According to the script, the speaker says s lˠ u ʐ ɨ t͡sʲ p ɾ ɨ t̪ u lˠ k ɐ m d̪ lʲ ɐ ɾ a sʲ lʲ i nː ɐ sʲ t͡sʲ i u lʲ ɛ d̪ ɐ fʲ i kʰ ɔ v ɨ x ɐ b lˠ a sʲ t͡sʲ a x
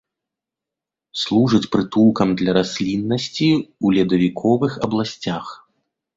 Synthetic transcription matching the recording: s lˠ u ʐ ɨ t͡sʲ p ɾ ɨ t̪ u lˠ k ɐ m d̪ lʲ ɐ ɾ a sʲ lʲ i nː ɐ sʲ t͡sʲ i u lʲ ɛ d̪ ɐ vʲ i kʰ ɔ v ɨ x ɐ b lˠ a sʲ t͡sʲ a x